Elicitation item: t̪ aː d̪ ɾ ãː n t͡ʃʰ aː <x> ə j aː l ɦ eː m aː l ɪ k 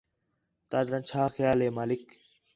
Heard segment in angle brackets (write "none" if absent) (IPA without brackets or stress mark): x